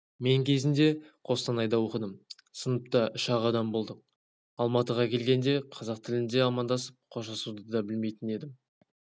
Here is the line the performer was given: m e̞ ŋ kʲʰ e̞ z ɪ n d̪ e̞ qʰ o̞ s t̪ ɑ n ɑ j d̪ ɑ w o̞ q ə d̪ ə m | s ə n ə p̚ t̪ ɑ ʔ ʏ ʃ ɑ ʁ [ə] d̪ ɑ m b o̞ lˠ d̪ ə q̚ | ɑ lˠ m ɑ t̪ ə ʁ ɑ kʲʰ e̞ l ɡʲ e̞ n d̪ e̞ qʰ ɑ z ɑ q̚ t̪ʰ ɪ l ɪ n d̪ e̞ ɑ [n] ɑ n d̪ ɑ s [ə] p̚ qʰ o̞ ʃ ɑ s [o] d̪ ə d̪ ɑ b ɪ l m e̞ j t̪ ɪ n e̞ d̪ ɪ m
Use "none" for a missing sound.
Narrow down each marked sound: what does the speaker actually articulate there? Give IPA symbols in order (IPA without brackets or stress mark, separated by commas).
ɑ, m, ə, u